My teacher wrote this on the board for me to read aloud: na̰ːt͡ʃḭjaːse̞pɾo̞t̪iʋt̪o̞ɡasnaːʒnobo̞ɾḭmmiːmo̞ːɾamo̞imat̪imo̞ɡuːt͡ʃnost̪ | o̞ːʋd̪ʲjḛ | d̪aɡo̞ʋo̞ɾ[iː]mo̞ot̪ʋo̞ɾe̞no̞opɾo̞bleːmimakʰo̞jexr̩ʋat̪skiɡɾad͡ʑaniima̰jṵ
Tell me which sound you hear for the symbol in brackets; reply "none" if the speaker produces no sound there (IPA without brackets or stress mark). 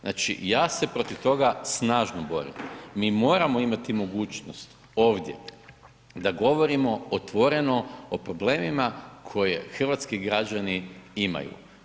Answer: i